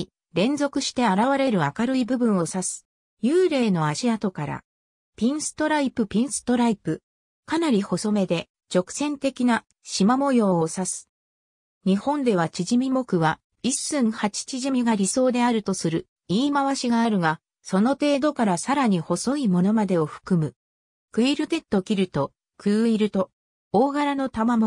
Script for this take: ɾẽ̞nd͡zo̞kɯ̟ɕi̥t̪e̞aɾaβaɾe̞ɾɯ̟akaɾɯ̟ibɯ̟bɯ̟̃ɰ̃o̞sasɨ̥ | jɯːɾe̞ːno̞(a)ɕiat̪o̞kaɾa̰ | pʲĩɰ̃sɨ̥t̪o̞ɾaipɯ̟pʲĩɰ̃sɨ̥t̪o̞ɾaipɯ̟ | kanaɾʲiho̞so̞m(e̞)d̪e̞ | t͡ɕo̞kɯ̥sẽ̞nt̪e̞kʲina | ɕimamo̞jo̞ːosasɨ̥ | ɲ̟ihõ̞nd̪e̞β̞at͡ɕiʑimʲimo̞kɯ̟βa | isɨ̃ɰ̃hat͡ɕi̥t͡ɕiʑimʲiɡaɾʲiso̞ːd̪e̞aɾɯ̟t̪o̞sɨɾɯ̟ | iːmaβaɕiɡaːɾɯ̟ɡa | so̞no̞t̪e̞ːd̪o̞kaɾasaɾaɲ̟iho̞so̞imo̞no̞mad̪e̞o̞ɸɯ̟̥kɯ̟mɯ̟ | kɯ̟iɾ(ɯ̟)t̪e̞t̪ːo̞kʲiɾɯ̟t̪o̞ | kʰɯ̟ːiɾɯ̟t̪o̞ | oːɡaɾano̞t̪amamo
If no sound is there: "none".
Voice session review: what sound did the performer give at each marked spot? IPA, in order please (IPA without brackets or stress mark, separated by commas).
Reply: a, e̞, ɯ̟